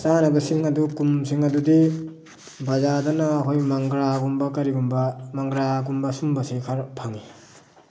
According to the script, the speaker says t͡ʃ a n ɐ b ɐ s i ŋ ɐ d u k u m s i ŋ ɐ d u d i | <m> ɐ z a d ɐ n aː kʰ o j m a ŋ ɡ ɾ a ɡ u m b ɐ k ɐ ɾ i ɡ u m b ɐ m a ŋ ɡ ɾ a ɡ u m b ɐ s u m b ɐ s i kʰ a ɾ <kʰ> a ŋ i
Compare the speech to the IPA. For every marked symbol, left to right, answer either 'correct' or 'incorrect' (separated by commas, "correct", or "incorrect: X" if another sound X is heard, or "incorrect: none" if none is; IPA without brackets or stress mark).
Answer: incorrect: b, incorrect: pʰ